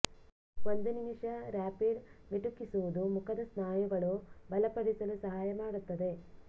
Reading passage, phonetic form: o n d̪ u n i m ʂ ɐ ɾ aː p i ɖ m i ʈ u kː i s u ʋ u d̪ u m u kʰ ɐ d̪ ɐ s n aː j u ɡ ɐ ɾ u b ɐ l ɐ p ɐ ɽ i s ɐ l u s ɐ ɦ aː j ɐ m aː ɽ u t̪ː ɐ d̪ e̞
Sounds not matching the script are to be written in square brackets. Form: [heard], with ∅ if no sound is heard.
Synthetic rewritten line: o n d̪ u n i m ʂ ɐ ɾ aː p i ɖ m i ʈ u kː i s u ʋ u d̪ u m u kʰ ɐ d̪ ɐ s n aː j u ɡ ɐ [ɭ] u b ɐ l ɐ p ɐ ɽ i s ɐ l u s ɐ ɦ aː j ɐ m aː ɽ u t̪ː ɐ d̪ e̞